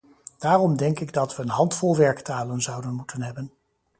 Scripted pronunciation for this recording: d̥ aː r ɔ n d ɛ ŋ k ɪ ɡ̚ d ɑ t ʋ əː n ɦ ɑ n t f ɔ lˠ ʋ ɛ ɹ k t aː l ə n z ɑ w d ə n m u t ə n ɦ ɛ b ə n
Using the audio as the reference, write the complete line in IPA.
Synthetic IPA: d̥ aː r ɔ m d ɛ ŋ k ɪ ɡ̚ d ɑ t ʋ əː n ɦ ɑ n t f ɔ lˠ ʋ ɛ ɹ k t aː l ə n z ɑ w d ə n m u t ə n ɦ ɛ b ə n